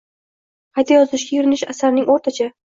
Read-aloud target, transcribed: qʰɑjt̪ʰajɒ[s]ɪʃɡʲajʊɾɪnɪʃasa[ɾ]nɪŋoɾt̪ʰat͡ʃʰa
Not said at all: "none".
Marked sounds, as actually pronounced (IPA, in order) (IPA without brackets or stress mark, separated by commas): z, ɾ